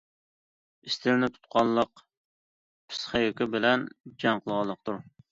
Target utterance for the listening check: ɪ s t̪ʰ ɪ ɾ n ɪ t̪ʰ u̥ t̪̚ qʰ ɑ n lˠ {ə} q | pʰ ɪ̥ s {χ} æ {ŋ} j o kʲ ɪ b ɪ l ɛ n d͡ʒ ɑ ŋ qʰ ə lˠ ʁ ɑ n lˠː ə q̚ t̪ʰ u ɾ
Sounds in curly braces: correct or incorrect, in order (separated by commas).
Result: correct, correct, incorrect